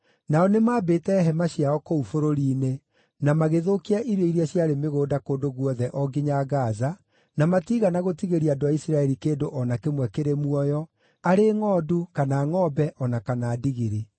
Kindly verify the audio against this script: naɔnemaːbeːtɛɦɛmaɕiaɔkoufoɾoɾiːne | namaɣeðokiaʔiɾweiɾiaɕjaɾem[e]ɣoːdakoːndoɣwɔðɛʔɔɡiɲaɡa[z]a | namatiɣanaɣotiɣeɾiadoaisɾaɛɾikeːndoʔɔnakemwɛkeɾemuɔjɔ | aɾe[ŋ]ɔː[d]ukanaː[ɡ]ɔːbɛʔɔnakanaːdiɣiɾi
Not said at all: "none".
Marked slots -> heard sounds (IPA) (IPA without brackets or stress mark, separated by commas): e, z, ŋ, d, ŋ